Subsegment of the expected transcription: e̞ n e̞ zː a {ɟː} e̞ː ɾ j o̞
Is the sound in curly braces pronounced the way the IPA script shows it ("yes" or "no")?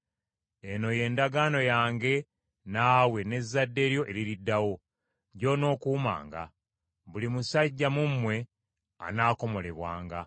no